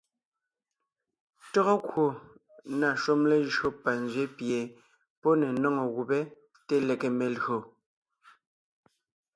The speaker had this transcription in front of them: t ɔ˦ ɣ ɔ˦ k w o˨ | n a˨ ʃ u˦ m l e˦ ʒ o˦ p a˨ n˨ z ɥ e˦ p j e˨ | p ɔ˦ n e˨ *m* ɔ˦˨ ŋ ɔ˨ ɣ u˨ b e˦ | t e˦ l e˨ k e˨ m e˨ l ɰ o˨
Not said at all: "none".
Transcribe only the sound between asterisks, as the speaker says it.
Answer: n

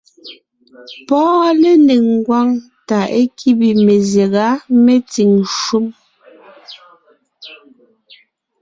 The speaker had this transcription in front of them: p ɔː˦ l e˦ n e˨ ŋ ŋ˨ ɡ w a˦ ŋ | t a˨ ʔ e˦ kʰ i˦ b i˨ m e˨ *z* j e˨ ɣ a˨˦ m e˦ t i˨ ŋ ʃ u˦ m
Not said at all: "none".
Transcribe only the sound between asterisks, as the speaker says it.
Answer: z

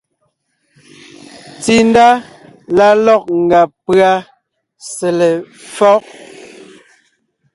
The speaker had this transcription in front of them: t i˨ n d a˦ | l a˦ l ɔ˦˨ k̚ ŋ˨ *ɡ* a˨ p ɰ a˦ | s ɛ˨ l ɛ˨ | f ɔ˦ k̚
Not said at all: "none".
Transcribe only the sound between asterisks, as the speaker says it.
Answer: ɡ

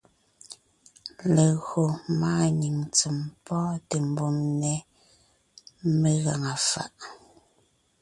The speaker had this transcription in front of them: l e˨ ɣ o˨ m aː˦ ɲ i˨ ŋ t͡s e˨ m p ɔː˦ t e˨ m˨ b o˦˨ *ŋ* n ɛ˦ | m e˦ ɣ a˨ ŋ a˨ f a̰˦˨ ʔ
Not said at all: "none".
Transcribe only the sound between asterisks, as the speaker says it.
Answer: m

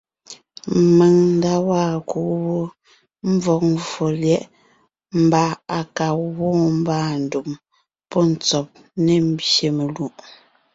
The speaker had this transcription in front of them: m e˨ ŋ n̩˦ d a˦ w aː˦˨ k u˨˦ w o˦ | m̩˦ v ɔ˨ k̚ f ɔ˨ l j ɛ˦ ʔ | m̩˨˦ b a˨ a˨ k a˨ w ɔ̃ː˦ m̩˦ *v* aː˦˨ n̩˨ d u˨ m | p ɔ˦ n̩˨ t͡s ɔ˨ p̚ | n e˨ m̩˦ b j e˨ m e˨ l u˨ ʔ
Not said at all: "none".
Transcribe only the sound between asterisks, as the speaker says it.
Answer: b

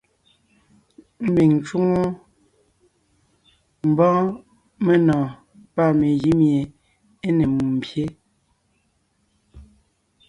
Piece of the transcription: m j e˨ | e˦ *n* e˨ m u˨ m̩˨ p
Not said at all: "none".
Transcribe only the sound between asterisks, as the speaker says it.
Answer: n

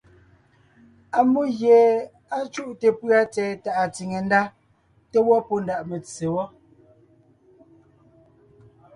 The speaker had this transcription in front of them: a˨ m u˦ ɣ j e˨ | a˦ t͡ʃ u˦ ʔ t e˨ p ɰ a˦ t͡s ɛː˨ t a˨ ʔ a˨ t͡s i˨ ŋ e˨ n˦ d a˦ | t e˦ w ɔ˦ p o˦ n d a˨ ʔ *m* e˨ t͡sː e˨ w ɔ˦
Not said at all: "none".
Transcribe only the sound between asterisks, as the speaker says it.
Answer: m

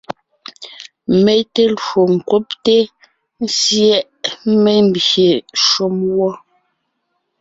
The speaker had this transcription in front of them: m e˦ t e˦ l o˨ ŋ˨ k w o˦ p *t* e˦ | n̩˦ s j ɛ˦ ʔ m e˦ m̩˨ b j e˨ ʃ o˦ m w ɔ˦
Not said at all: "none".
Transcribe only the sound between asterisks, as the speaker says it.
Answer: t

